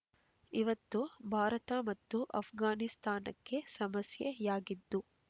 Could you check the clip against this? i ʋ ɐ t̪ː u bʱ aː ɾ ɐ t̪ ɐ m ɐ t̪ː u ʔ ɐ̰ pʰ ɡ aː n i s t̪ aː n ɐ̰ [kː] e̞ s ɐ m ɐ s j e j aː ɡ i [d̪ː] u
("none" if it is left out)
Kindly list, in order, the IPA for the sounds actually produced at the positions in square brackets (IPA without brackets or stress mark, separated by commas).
kː, d̪ː